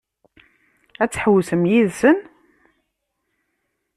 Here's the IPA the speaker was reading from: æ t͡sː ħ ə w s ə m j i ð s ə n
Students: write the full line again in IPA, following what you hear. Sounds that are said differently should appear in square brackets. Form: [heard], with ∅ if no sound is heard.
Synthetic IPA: æ t͡sː ħ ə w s ə m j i ð s ə n